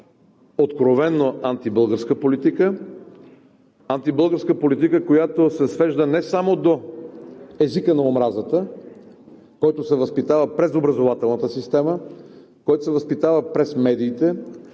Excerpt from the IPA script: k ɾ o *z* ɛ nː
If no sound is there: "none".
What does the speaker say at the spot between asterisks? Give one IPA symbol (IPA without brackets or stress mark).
v